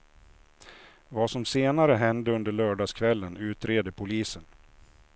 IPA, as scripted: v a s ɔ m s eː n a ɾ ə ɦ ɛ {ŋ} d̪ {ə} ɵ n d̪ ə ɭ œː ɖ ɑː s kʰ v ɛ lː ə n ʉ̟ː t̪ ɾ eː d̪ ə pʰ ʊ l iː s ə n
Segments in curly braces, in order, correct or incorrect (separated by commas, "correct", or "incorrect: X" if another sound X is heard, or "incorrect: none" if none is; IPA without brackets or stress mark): incorrect: n, correct